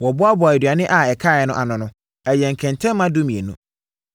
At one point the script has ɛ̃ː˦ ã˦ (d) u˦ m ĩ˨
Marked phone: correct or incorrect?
correct